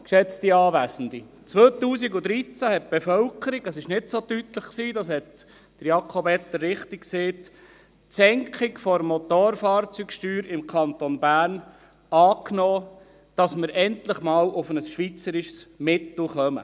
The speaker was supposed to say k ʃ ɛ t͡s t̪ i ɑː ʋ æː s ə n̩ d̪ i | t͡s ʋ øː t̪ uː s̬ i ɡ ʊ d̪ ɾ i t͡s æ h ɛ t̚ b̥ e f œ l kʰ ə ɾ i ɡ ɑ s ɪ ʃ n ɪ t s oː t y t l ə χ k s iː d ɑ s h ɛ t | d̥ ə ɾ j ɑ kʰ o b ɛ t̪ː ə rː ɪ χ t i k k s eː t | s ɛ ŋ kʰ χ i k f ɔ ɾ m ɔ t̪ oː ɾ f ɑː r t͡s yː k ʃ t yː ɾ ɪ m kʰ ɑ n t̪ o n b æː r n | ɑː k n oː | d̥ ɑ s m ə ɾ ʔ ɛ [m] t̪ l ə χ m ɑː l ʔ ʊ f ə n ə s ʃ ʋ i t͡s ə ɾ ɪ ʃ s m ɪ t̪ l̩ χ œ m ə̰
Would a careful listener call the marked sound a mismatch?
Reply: yes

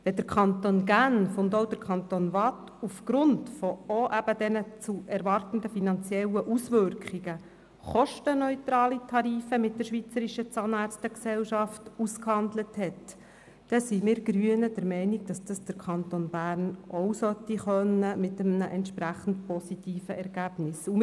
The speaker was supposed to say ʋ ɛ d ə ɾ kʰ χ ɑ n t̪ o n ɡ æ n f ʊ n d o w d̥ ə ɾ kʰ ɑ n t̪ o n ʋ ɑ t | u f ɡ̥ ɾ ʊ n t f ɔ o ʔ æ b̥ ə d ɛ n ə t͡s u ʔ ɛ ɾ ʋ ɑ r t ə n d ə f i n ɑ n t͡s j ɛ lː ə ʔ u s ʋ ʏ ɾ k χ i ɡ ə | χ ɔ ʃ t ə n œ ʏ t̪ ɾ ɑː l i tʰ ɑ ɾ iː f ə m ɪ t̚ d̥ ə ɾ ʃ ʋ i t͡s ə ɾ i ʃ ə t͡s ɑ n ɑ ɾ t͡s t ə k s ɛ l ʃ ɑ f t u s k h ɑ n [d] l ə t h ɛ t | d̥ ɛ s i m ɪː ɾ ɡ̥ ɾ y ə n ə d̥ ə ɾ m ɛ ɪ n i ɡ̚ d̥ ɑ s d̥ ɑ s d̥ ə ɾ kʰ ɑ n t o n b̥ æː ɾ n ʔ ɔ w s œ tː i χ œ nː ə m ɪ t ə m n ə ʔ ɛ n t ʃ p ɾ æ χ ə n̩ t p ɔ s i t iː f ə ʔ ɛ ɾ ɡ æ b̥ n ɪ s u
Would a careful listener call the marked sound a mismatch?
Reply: no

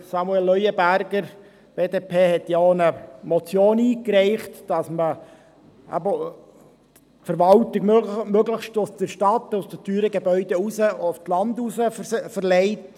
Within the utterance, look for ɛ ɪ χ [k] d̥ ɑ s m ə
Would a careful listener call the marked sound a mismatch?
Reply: yes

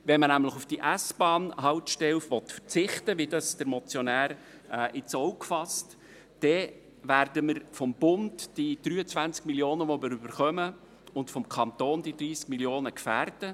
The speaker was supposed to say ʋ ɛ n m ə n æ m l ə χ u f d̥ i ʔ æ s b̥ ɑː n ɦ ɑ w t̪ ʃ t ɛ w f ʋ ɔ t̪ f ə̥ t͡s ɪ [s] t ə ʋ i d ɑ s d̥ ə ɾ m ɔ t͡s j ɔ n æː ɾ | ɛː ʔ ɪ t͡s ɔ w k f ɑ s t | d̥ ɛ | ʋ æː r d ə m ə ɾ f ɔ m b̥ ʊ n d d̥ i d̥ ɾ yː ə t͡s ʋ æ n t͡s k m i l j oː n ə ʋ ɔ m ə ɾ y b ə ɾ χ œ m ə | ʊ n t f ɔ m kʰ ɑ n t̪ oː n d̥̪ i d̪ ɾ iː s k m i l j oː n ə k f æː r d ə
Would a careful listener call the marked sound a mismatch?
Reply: yes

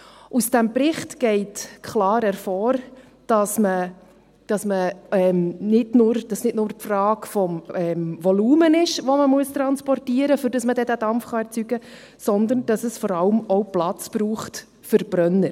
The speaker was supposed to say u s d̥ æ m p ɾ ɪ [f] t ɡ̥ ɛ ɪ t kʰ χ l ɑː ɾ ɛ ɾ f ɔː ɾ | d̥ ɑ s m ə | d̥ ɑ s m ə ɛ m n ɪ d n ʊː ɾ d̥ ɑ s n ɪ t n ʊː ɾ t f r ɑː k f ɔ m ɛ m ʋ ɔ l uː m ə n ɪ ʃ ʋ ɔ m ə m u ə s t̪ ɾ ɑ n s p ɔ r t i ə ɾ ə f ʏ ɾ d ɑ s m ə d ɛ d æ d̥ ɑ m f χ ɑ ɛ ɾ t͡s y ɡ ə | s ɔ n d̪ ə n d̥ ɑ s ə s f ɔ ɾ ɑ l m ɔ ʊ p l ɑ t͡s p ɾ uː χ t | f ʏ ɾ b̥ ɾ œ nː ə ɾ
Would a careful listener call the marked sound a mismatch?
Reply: yes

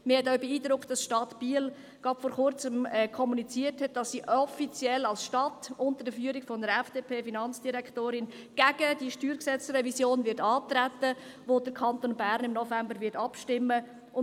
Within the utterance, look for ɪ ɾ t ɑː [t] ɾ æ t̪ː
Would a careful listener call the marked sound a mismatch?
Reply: no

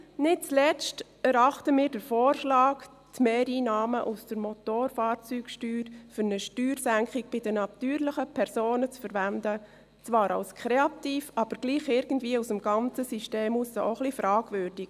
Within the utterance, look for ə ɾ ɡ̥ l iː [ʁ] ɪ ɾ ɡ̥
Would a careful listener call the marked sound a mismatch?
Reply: yes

